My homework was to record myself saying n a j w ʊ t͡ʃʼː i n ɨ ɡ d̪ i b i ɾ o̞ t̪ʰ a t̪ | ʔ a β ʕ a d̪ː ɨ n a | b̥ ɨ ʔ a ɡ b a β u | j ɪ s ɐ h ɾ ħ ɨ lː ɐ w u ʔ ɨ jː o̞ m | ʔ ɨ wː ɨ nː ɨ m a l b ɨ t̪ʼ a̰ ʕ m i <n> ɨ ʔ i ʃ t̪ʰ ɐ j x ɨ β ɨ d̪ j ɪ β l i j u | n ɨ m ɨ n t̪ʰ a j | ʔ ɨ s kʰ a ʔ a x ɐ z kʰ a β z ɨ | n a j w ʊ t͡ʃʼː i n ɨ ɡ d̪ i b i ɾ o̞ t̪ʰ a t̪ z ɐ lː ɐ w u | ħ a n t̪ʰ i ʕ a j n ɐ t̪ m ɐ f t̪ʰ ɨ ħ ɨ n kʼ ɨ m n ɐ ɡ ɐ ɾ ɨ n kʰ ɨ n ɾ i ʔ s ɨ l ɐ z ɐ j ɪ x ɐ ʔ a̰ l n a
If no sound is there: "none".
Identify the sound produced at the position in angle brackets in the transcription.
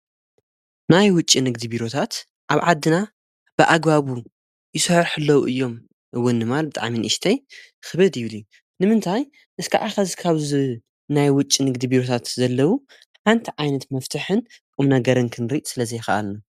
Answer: n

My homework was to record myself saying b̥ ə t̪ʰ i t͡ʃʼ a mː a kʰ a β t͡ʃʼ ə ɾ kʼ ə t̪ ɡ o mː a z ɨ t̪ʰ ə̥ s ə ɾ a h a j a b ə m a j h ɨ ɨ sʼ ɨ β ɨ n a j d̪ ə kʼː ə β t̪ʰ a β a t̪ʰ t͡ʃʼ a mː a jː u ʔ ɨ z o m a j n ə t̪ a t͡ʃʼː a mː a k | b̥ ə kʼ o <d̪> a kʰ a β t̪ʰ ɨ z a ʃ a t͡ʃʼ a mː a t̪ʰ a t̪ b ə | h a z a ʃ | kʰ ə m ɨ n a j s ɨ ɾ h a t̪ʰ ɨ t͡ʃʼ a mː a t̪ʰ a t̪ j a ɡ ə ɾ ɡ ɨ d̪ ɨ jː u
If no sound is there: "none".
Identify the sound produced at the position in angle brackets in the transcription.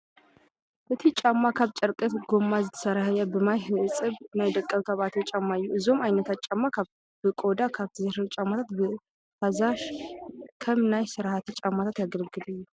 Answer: d̪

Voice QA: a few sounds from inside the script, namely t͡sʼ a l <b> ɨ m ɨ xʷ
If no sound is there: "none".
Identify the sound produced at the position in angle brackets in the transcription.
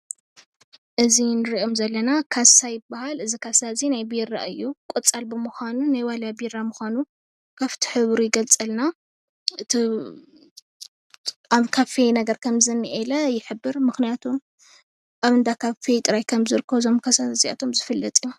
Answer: b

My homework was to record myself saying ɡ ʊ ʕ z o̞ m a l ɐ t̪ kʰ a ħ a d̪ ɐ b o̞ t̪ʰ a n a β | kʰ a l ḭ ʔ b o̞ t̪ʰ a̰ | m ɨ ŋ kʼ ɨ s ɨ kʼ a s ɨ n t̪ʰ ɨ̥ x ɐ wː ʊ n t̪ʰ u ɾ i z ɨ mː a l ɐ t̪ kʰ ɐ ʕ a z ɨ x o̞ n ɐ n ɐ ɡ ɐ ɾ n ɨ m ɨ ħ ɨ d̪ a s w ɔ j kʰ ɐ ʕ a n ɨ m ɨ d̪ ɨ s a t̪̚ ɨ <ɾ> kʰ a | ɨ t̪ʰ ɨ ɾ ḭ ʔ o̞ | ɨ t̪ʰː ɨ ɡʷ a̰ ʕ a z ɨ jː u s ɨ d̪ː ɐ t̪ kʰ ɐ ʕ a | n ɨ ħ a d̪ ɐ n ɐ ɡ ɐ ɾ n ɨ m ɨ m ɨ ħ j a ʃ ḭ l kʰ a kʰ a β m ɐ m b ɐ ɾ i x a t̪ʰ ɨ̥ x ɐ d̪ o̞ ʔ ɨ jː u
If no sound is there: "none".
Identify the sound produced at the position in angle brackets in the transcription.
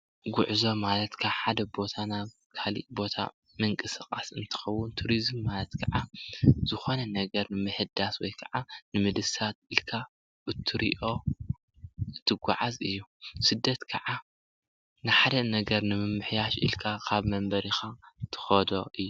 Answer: l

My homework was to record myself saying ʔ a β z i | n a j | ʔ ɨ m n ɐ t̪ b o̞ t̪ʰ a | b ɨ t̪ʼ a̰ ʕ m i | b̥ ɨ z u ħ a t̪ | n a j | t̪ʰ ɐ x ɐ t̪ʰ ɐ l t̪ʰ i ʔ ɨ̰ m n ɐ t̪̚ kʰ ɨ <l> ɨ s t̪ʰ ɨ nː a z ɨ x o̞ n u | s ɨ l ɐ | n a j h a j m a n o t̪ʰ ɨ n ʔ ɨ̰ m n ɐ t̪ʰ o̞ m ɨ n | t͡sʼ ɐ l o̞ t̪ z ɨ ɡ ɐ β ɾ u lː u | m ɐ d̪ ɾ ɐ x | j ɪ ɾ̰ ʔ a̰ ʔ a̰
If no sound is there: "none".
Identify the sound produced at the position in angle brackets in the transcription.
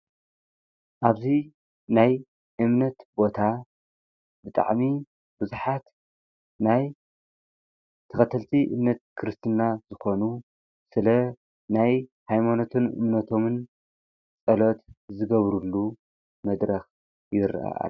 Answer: ɾ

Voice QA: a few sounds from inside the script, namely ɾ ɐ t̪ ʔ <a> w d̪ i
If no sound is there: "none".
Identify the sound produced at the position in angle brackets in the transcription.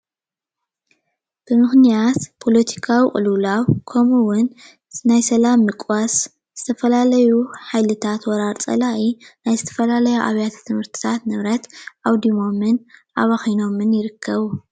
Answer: a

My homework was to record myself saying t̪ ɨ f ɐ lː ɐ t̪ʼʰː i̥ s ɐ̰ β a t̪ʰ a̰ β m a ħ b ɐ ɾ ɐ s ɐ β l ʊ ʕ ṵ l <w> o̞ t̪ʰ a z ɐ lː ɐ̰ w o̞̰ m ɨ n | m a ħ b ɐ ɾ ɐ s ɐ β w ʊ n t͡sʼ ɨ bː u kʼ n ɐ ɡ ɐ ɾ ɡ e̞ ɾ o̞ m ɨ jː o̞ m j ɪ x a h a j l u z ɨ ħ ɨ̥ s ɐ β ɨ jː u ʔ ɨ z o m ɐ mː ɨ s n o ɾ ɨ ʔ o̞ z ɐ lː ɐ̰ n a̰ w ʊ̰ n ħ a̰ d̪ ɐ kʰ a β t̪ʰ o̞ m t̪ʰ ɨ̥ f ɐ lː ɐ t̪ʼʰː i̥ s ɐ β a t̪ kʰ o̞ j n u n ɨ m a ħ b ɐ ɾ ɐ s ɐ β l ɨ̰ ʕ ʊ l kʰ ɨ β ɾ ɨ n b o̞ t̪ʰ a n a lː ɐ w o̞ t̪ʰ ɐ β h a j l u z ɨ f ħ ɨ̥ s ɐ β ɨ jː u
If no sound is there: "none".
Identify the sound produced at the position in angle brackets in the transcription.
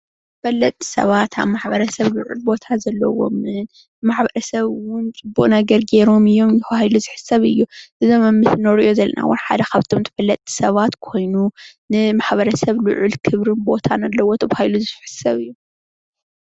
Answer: b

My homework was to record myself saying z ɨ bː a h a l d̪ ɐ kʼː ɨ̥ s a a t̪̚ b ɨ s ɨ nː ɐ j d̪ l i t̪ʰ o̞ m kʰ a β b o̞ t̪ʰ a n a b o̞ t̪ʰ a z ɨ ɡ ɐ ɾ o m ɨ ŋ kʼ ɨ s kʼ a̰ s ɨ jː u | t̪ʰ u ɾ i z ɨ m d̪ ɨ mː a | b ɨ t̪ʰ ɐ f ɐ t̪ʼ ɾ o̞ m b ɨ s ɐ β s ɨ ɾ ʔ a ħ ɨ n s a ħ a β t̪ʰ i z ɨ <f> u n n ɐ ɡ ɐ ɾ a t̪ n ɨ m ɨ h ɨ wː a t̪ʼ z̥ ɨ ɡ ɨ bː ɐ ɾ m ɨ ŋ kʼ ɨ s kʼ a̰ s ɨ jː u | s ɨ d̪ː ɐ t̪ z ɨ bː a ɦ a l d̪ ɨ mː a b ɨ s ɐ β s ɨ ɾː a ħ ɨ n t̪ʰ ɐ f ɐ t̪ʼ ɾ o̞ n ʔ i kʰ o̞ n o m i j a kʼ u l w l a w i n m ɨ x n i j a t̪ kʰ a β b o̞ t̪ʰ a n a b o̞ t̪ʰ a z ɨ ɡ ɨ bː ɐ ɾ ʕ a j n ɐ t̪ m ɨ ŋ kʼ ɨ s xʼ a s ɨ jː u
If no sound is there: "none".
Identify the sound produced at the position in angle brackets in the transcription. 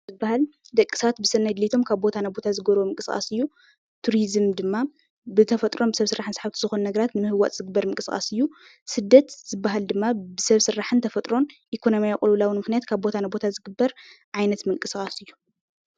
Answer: x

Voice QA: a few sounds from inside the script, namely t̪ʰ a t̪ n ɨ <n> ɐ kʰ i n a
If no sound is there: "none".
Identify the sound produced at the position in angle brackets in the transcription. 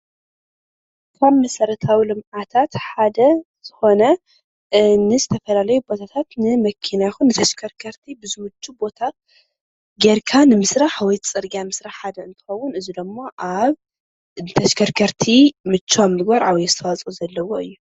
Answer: m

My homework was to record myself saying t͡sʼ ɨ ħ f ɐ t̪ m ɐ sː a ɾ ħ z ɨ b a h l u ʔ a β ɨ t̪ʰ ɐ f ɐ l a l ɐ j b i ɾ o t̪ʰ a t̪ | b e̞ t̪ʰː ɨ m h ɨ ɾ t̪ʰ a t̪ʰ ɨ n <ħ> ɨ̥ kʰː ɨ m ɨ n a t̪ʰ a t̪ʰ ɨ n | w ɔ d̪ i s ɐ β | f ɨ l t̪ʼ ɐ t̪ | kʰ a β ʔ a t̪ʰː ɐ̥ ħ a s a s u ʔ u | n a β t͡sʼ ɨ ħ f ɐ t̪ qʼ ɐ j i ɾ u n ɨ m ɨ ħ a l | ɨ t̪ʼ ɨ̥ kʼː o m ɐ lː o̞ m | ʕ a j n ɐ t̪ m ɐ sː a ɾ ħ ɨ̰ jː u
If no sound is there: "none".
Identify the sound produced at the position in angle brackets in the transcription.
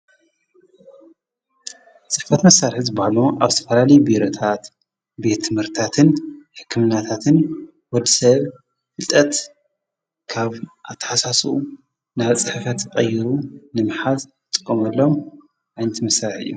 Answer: ħ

